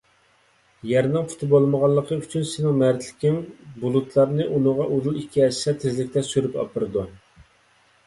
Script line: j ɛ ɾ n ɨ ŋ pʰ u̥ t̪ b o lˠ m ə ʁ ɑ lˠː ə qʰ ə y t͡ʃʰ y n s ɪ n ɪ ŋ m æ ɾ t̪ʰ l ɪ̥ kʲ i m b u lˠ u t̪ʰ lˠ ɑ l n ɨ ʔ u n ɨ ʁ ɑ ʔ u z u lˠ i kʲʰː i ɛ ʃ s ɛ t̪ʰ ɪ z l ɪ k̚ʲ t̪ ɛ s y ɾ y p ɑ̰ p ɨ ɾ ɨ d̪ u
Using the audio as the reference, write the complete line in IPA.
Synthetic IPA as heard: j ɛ ɾ n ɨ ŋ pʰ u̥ t̪ b o lˠ m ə ʁ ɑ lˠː ə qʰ ə y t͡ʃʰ y n s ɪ n ɪ ŋ m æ ɾ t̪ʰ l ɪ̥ kʲ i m b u lˠ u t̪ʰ lˠ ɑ ɾ n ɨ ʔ u n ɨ ʁ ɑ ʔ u z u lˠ i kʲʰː i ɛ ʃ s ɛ t̪ʰ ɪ z l ɪ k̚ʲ t̪ ɛ s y ɾ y p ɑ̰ p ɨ ɾ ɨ d̪ u